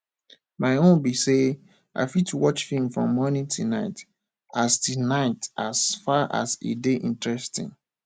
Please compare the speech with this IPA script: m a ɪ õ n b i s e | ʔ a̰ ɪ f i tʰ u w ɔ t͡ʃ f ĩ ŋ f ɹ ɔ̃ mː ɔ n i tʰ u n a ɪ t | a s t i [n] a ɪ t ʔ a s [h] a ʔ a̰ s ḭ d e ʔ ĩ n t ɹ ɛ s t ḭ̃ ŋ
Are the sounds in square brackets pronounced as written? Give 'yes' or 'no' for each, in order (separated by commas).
yes, no